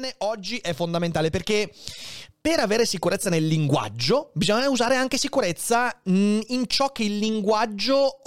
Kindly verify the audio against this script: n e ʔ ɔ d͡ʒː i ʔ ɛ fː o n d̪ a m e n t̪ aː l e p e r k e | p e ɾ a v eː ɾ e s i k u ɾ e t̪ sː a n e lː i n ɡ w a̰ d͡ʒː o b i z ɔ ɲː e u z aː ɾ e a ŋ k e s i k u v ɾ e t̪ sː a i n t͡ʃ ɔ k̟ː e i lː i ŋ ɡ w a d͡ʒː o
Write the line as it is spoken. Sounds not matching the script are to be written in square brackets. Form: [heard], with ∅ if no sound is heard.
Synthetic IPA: n e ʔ ɔ d͡ʒː i ʔ ɛ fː o n d̪ a m e n t̪ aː l e p e r k e | p e ɾ a v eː ɾ e s i k u ɾ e t̪ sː a n e lː i [ŋ] ɡ w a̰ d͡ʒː o b i z ɔ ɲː [a] u z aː ɾ e a ŋ k e s i k u [∅] ɾ e t̪ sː a i n t͡ʃ ɔ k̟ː e i lː i ŋ ɡ w a d͡ʒː o